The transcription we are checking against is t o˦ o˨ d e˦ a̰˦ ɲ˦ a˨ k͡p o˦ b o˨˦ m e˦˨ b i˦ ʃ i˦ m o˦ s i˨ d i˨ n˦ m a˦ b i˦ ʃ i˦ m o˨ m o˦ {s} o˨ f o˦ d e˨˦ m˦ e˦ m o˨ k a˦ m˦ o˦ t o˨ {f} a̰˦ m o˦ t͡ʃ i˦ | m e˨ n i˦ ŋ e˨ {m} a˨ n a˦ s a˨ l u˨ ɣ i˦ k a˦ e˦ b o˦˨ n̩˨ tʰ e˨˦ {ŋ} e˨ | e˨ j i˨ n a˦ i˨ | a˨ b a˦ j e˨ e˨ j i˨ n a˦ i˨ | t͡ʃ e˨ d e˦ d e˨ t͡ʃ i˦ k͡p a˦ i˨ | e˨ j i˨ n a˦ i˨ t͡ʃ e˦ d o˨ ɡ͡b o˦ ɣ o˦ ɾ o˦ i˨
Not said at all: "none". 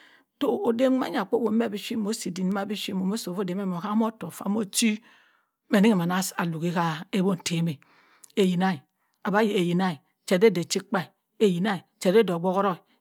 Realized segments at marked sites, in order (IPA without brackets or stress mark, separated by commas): s, f, m, m